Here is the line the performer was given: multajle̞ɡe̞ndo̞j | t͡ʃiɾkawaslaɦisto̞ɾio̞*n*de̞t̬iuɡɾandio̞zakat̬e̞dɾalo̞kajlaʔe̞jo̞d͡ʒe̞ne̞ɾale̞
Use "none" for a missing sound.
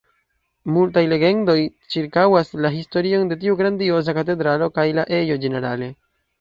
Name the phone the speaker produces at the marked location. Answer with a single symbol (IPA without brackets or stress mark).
n